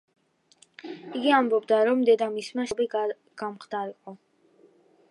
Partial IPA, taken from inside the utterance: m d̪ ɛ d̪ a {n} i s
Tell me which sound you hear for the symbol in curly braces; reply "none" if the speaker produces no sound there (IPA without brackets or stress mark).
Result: m